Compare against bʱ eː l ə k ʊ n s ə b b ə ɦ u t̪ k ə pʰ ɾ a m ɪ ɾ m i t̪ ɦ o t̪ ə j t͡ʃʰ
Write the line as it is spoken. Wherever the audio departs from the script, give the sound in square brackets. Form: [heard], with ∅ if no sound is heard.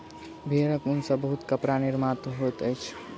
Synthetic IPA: bʱ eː [ɾ] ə k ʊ n s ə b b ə ɦ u t̪ k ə [p] ɾ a [n] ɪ ɾ m [a] t̪ ɦ o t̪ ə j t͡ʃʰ